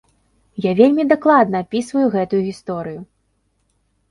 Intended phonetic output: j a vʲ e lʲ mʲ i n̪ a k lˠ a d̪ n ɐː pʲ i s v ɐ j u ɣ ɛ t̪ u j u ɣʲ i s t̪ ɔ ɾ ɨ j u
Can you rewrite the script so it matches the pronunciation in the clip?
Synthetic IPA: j a vʲ e lʲ mʲ i d̪ a k lˠ a d̪ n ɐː pʲ i s v ɐ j u ɣ ɛ t̪ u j u ɣʲ i s t̪ ɔ ɾ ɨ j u